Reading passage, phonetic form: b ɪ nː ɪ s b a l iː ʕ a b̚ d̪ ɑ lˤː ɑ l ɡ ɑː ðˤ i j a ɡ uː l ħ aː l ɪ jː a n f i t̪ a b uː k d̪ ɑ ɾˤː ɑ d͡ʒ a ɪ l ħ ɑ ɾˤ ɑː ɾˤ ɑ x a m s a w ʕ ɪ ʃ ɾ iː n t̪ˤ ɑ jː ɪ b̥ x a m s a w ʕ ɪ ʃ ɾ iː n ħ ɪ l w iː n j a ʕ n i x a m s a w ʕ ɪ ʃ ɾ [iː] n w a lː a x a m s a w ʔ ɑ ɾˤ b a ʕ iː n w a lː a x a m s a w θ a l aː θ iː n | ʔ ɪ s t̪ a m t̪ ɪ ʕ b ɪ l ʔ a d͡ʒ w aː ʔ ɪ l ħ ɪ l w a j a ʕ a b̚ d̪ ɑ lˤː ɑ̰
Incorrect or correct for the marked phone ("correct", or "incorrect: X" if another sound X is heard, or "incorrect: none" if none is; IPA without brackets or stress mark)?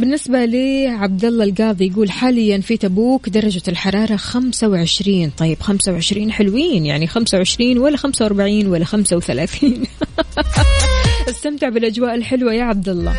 correct